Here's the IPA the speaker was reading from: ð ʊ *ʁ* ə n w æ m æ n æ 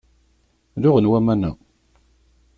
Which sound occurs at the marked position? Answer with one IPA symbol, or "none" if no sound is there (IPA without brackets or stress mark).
ʁ